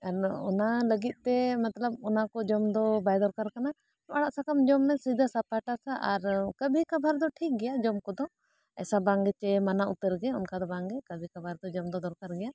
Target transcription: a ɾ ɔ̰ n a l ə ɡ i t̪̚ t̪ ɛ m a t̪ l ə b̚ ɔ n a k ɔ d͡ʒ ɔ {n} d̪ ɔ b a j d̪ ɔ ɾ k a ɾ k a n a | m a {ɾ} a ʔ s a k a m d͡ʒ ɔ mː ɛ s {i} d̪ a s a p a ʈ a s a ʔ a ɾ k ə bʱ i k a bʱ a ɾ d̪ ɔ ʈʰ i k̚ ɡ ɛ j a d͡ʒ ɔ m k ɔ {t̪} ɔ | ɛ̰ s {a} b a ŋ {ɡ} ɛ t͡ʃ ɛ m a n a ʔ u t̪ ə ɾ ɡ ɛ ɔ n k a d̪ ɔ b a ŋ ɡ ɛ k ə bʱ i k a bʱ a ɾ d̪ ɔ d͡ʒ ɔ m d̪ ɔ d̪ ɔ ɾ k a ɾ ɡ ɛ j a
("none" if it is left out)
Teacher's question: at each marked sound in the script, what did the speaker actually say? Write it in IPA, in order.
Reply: m, ɽ, i, d̪, a, ɡ

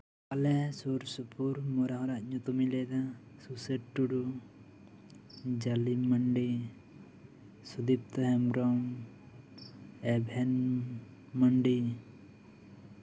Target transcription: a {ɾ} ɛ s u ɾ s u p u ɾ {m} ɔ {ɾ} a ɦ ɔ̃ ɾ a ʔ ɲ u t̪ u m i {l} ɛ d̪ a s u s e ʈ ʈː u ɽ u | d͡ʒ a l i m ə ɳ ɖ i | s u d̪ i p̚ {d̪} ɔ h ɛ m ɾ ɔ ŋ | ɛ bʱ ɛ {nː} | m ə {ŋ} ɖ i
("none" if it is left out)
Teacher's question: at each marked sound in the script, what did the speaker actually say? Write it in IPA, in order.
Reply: l, m, ɾ, l, t̪, n, ɳ

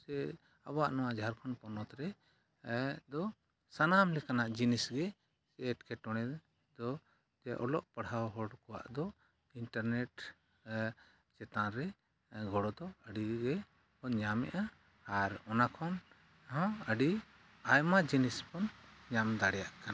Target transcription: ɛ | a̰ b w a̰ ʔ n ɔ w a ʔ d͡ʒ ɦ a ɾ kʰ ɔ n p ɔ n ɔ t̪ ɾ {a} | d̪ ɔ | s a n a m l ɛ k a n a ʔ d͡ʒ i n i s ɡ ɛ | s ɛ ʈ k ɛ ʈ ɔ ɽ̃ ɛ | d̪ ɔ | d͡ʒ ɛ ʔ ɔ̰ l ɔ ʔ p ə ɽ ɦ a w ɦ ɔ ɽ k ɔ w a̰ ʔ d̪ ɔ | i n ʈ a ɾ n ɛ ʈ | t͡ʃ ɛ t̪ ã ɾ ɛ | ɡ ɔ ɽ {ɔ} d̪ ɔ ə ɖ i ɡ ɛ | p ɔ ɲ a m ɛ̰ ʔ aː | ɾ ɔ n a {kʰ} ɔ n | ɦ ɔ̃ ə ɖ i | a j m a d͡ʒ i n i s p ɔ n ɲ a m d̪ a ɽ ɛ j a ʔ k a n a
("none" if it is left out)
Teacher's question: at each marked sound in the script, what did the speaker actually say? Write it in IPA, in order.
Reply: ɛ, ɔ, kʰ

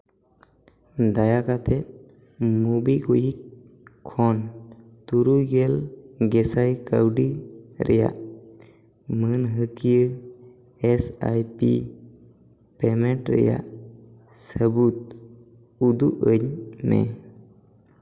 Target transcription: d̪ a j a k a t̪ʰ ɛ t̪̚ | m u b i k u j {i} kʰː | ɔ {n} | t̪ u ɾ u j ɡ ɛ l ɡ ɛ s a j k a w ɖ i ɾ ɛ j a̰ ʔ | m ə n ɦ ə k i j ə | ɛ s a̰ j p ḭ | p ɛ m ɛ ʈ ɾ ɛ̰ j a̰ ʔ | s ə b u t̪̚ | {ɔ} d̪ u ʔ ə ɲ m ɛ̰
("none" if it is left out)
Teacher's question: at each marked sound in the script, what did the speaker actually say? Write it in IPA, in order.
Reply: i, n, u

